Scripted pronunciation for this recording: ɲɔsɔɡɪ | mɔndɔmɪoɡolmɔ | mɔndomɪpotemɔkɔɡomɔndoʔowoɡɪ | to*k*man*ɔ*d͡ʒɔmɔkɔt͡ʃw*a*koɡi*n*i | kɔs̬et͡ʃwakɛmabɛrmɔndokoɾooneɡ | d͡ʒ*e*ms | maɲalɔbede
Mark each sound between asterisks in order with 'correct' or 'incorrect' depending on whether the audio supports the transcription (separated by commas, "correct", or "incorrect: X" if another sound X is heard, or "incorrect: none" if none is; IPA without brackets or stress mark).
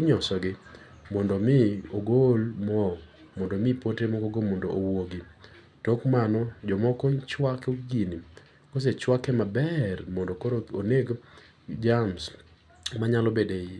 correct, correct, correct, correct, incorrect: a